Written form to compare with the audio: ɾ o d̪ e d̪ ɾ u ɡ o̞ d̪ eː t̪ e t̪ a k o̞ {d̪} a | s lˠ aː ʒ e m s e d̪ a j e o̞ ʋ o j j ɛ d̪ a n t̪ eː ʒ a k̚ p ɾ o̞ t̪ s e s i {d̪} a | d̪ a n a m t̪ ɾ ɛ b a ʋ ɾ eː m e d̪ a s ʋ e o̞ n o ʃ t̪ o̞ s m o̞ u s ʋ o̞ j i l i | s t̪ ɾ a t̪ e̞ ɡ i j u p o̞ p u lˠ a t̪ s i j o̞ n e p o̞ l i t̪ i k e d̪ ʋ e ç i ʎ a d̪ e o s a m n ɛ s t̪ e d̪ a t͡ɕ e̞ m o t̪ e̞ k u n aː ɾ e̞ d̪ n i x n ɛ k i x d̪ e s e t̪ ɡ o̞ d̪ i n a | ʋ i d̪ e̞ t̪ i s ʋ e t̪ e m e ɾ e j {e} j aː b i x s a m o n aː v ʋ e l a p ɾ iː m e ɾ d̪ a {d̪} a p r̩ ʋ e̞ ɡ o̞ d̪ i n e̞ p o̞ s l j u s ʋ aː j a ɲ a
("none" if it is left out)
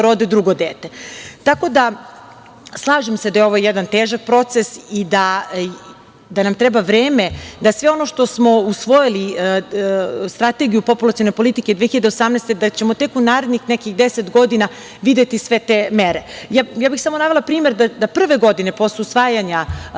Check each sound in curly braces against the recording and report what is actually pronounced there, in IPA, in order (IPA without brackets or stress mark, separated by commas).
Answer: d̪, d̪, a, d̪